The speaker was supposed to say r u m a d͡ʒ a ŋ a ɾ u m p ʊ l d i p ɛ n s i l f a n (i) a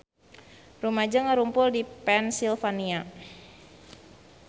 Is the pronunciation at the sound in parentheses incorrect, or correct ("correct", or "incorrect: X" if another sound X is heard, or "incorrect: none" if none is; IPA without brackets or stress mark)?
correct